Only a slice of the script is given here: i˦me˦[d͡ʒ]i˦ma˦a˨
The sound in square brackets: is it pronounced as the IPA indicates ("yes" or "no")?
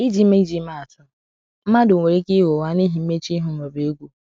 yes